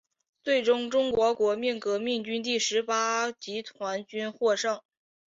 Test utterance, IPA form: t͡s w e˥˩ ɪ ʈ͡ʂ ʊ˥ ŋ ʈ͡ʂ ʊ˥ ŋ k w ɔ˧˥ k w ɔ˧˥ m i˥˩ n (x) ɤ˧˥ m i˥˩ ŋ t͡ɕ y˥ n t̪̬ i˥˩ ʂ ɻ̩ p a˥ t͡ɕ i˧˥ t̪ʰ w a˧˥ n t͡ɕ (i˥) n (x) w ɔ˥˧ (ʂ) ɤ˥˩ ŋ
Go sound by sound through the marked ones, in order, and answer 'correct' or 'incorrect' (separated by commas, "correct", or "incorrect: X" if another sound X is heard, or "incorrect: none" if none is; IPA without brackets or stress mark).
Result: incorrect: k, incorrect: y˥, correct, correct